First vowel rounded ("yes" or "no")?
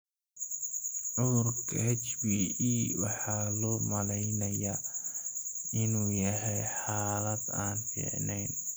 yes